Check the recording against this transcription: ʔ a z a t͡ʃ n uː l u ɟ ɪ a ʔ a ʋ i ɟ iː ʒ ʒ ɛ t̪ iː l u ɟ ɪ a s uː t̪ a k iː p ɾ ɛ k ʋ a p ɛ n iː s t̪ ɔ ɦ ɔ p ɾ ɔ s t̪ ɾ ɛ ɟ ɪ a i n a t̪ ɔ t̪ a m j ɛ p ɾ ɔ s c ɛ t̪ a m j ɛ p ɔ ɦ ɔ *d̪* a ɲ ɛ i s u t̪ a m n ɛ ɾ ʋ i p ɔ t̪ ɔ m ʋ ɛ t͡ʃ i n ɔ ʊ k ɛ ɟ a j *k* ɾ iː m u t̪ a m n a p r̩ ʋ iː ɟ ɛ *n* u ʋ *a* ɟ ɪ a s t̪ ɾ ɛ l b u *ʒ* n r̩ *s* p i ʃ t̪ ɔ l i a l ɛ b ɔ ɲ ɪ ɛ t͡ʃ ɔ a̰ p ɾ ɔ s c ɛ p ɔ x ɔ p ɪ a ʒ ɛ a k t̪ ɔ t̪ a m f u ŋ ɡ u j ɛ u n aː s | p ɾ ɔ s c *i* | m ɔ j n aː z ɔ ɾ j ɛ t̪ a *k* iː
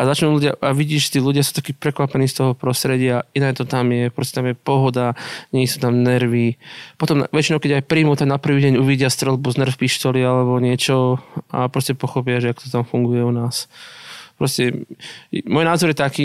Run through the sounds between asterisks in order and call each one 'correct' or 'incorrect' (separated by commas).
correct, incorrect, incorrect, incorrect, incorrect, incorrect, incorrect, correct